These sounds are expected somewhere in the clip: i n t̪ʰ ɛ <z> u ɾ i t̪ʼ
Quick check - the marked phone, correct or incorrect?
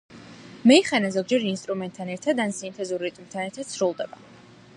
correct